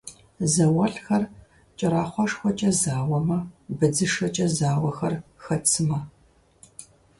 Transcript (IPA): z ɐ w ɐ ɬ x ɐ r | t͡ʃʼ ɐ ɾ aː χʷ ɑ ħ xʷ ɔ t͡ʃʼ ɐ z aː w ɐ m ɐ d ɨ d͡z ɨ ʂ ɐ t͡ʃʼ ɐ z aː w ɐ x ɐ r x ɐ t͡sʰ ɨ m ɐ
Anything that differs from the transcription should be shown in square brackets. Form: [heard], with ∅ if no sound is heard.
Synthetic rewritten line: z ɐ w ɐ ɬ x ɐ r | t͡ʃʼ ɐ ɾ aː χʷ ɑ [ʂ] xʷ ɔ t͡ʃʼ ɐ z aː w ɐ m ɐ [b] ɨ d͡z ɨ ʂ ɐ t͡ʃʼ ɐ z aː w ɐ x ɐ r x ɐ t͡sʰ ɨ m ɐ

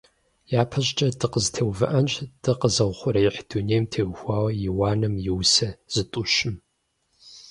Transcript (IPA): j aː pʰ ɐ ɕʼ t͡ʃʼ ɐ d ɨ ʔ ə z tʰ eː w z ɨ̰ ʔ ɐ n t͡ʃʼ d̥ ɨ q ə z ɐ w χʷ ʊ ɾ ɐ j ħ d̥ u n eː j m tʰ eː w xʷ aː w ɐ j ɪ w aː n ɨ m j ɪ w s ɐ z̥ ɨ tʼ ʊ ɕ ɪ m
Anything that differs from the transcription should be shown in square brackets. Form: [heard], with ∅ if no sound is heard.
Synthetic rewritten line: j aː pʰ ɐ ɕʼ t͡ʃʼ ɐ d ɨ [q] ə z tʰ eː w [v] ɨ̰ ʔ ɐ n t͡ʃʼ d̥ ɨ q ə z ɐ w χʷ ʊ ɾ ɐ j ħ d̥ u n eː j m tʰ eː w xʷ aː w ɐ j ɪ w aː n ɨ m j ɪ w s ɐ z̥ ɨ tʼ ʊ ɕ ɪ m

